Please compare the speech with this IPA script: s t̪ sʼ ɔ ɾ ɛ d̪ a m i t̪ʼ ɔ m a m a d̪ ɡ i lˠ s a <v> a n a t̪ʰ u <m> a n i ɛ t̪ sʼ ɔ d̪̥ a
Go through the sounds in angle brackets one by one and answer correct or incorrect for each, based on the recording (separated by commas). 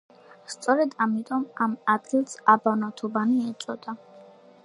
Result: incorrect, incorrect